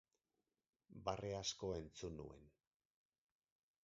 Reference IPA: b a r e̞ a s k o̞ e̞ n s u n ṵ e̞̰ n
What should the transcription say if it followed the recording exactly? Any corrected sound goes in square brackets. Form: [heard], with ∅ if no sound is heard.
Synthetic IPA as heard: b a r e̞ a s k o̞ e̞ n [t͡s] u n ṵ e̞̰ n